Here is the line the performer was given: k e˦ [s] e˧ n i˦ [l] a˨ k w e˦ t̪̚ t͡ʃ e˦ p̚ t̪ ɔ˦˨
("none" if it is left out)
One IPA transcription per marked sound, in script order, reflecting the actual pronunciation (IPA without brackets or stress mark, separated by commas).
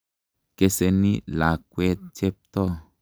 s, l